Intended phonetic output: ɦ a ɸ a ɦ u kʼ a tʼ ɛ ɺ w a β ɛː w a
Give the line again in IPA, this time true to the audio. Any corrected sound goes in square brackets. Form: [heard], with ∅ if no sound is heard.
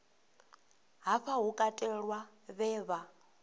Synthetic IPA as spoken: ɦ a ɸ a ɦ u kʼ a tʼ ɛ ɺ w a β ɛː [β] a

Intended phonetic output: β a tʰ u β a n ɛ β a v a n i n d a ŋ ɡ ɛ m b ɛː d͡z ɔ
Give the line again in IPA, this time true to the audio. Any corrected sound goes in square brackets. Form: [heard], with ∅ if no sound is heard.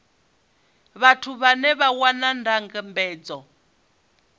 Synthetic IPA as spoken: β a tʰ u β a n ɛ β a [w] a n [a] n d a ŋ ɡ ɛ m b ɛː d͡z ɔ

